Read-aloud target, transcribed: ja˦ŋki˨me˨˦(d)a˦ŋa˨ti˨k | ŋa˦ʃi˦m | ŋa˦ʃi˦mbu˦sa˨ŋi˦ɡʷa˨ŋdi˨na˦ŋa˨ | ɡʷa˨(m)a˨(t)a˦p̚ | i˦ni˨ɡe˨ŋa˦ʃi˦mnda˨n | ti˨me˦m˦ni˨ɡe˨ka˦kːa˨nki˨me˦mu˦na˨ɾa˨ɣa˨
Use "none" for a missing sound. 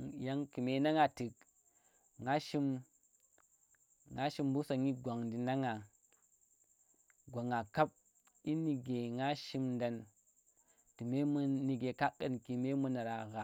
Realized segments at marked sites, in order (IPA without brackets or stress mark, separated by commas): n, ŋ, k